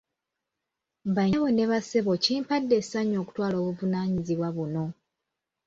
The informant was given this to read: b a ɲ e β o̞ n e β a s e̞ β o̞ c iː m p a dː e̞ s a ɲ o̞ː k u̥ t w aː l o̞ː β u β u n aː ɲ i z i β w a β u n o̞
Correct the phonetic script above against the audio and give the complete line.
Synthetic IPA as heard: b a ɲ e β o̞ n e β a s e̞ β o̞ c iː m p a dː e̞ s a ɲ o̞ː k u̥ t w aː l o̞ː β u v u n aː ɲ i z i β w a β u n o̞